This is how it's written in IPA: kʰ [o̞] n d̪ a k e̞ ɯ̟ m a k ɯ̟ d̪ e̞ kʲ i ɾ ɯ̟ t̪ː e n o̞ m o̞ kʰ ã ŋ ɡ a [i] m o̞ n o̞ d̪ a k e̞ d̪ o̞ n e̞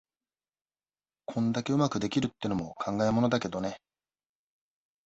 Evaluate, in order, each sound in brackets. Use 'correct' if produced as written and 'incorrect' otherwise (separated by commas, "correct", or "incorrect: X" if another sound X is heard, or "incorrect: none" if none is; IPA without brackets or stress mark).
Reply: incorrect: õ̞, incorrect: e